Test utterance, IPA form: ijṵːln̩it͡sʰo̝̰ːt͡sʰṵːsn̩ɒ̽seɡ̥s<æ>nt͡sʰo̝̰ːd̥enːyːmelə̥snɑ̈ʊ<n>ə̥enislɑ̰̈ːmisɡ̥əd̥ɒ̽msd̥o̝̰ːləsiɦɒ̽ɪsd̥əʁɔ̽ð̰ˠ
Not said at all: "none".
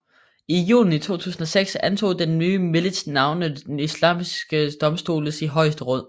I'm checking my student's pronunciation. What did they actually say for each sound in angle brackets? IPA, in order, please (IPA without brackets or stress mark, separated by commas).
æ, n